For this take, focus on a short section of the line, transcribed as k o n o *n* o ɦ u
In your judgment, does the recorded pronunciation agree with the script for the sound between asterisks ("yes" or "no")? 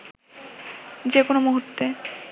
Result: no